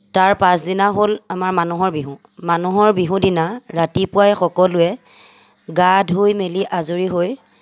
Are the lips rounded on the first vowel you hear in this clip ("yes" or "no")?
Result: no